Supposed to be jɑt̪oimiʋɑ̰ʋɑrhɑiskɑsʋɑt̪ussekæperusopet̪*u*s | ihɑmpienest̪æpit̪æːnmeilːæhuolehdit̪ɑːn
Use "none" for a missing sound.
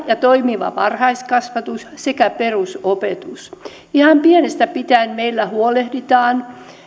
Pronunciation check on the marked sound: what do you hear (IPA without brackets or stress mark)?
u